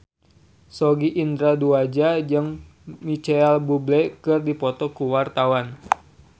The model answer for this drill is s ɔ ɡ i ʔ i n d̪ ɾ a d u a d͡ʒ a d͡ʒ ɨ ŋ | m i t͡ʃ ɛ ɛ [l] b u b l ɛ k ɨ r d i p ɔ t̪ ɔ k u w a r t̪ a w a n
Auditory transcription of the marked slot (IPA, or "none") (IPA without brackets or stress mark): l